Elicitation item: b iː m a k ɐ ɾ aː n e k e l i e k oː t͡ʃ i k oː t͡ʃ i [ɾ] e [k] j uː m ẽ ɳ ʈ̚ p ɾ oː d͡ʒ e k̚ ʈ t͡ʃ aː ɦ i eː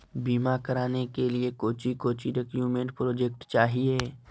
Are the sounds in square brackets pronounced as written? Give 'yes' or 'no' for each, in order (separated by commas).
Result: yes, yes